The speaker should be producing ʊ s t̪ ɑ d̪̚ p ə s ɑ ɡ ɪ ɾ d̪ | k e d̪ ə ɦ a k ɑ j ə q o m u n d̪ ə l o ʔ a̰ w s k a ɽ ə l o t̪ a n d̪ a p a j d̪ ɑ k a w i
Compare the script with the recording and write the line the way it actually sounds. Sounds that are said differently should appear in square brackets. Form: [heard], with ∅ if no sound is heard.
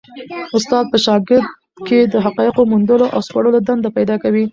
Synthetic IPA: ʊ s t̪ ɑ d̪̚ p ə [ʃ] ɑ ɡ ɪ ɾ d̪ | k e d̪ ə ɦ a [q] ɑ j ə q o m u n d̪ ə l o ʔ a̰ w s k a ɽ ə l o [d̪] a n d̪ a p a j d̪ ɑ k a w i